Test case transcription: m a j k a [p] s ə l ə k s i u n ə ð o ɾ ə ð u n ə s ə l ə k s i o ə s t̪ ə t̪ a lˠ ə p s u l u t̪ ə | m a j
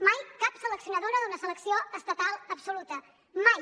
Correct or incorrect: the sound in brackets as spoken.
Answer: correct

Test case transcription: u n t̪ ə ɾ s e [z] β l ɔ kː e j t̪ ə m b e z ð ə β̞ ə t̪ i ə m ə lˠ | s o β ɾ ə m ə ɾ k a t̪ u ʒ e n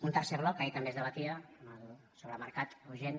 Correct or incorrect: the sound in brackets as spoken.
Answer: incorrect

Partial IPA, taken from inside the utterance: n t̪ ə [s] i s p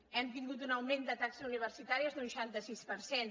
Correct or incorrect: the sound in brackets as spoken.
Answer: correct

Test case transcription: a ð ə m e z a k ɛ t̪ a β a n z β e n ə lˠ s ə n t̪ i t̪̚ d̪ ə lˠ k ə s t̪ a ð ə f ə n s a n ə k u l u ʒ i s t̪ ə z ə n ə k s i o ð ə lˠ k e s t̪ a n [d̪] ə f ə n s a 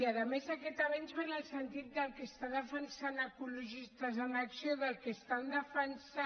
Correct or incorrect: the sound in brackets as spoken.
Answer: correct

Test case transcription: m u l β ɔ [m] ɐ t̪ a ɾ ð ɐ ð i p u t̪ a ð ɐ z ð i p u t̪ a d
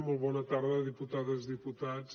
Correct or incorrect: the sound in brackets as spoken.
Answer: incorrect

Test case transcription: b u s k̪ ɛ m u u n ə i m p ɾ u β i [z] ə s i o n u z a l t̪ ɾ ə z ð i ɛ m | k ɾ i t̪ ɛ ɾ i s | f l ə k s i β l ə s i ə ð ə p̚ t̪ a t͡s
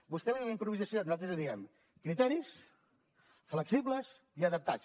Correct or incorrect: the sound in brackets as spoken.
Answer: correct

